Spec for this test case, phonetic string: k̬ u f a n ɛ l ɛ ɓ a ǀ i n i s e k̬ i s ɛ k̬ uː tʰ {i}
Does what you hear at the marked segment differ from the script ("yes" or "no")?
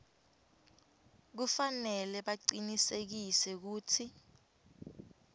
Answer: no